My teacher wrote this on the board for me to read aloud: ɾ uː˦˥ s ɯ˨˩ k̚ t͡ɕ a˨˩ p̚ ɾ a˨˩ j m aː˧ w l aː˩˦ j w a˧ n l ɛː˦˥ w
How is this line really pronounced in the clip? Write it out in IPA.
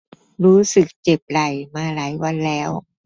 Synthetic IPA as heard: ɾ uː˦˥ s ɯ˨˩ k̚ t͡ɕ e˨˩ p̚ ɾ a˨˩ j m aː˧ l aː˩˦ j w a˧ n l ɛː˦˥ w